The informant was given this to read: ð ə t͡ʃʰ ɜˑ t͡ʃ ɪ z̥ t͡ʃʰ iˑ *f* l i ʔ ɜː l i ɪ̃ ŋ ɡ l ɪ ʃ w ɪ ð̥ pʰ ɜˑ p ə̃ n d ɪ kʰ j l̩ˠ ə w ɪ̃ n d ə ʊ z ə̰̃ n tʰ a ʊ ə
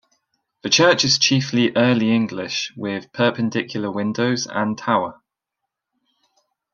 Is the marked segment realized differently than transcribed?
no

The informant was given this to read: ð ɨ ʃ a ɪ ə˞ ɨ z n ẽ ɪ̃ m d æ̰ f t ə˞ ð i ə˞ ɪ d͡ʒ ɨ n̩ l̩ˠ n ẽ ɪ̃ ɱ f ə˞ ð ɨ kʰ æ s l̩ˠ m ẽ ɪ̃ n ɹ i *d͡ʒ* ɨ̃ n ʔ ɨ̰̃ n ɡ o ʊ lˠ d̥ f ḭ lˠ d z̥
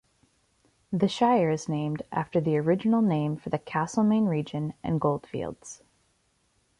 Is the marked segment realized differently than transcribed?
no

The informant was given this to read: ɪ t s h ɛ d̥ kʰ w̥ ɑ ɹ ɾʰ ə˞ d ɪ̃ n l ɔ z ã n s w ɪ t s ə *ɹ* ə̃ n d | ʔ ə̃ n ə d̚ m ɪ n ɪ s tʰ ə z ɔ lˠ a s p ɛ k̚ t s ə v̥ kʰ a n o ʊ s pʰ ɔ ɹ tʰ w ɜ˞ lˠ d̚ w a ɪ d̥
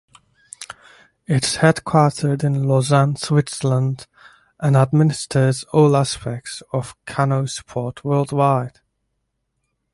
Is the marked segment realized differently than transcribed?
yes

